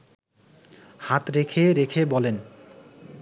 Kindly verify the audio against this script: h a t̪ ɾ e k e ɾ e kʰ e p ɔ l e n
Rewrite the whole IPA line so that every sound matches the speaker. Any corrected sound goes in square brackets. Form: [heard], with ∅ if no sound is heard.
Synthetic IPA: h a t̪ ɾ e [kʰ] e ɾ e kʰ e [b] ɔ l e n

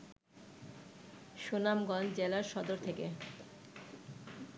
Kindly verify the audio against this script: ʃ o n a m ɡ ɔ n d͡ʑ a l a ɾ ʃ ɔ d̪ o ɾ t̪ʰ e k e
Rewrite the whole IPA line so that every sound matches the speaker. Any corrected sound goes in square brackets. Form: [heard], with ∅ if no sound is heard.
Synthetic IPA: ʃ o n a m ɡ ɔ n d͡ʑ [e] l a ɾ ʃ ɔ d̪ o ɾ t̪ʰ e k e

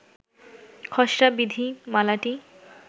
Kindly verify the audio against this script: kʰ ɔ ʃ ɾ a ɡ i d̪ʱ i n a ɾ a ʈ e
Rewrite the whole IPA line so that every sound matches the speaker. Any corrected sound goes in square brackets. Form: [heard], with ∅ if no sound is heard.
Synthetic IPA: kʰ ɔ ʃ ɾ a [b] i d̪ʱ i [m] a [l] a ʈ [i]

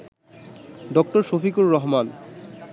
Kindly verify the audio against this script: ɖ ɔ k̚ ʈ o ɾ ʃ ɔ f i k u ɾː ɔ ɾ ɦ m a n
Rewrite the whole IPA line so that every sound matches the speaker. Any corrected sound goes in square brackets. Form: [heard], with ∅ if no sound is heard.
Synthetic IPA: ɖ ɔ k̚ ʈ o ɾ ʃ [o] f i k u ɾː ɔ [∅] ɦ m a n

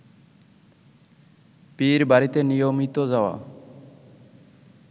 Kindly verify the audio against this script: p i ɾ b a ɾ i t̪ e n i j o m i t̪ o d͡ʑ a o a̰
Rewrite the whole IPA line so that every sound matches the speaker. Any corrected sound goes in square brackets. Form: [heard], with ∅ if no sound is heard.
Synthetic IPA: p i ɾ b a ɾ i t̪ e n i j o m i t̪ o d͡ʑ a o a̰

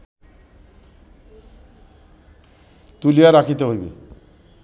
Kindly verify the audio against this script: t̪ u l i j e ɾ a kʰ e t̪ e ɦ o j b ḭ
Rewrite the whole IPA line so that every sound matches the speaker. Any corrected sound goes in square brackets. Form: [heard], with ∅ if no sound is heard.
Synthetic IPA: t̪ u l i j [a] ɾ a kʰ [i] t̪ e ɦ o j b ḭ

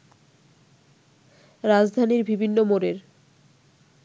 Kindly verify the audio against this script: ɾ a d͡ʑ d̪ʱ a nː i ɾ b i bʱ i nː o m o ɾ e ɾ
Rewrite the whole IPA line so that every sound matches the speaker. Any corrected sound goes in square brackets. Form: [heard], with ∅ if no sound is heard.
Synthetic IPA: ɾ a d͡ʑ d̪ʱ a [n] i ɾ b i bʱ i nː o m o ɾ e ɾ

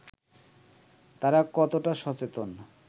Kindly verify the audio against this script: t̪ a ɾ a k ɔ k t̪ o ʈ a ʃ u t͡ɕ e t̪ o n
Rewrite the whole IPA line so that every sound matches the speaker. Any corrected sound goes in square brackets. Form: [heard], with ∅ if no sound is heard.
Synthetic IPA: t̪ a ɾ a k ɔ [∅] t̪ o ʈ a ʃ [ɔ] t͡ɕ e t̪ o n

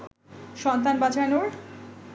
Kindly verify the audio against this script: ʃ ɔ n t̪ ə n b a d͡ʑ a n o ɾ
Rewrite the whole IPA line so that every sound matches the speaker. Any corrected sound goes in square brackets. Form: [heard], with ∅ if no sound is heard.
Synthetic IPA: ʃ ɔ n t̪ [a] n b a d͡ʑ a n o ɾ

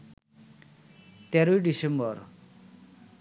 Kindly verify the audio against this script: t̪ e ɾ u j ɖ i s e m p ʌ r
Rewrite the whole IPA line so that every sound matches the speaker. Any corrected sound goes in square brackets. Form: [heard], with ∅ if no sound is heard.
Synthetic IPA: t̪ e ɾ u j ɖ i s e m [b] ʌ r

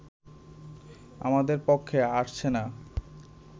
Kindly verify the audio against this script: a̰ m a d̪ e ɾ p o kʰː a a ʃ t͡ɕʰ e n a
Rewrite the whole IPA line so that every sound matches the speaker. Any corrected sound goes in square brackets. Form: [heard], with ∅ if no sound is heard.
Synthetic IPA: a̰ m a d̪ e ɾ p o kʰː [e] a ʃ t͡ɕʰ e n a

